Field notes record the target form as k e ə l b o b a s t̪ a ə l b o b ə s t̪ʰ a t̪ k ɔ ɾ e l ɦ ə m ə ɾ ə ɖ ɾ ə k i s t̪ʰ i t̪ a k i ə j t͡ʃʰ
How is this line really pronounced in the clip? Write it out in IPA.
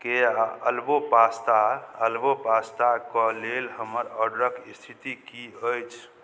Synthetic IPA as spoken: k e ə l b o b a s t̪ a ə l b o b a s t̪ a k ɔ l e l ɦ ə m ə ɾ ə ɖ ɾ ə k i s t̪ʰ i t̪ i k i ə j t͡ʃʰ